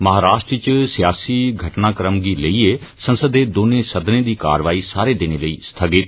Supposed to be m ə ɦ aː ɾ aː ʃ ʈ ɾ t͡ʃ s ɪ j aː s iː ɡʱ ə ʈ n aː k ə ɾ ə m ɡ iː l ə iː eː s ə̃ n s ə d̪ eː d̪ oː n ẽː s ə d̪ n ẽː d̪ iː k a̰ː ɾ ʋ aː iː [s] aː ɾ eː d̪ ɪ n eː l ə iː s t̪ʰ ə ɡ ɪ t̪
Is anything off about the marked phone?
no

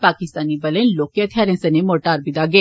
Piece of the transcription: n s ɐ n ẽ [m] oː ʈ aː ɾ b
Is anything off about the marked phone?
no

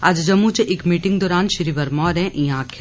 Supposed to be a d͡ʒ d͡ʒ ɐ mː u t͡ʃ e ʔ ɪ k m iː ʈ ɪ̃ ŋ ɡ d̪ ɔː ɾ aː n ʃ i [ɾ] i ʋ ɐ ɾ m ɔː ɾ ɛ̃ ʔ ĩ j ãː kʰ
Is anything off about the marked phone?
no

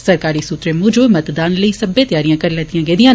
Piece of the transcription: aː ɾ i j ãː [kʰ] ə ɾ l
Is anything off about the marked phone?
yes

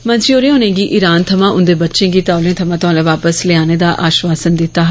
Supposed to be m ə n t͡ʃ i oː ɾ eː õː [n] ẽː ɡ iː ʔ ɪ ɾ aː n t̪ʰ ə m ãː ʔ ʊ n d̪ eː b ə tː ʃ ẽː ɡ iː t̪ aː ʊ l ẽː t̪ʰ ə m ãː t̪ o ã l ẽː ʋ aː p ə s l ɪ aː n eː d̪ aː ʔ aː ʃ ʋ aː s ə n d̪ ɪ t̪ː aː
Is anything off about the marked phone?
no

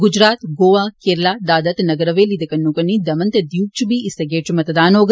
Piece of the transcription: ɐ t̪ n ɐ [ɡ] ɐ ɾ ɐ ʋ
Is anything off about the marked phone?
no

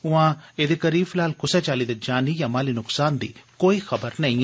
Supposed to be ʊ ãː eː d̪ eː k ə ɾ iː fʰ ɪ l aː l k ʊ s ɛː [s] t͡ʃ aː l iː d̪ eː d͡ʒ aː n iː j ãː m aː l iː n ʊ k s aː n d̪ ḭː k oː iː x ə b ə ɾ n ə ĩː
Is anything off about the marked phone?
yes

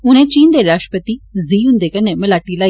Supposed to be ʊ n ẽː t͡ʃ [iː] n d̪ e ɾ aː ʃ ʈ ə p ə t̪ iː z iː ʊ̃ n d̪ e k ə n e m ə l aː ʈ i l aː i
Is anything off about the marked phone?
no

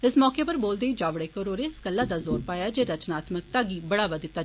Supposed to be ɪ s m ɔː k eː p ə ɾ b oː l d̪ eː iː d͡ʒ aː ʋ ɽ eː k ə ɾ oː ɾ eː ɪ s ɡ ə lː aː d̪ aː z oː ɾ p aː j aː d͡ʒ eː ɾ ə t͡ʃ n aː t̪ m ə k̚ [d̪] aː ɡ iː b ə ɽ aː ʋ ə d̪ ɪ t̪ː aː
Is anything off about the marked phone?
yes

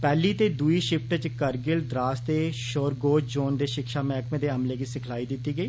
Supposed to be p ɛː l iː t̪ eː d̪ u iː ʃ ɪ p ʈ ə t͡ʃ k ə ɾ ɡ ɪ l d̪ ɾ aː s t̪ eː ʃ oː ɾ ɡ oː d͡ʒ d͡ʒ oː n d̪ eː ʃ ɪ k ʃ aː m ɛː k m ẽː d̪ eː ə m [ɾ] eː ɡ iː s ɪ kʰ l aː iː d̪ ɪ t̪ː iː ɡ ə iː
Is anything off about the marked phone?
yes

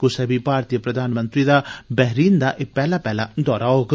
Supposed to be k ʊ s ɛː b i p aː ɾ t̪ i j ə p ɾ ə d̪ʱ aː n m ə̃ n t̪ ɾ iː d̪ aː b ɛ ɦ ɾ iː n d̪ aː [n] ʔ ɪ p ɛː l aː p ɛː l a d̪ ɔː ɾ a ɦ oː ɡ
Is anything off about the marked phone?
yes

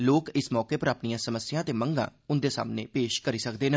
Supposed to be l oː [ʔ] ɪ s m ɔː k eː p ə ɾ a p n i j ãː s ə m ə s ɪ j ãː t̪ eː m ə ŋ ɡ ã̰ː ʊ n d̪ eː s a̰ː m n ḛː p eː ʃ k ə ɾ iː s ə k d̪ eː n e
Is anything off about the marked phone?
yes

